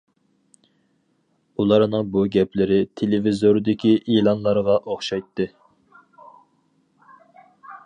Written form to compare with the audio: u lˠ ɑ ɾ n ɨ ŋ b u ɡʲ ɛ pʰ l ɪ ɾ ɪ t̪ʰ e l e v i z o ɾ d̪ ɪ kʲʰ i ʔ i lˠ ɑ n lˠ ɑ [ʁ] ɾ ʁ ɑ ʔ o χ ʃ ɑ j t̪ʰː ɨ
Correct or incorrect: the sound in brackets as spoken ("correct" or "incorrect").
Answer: incorrect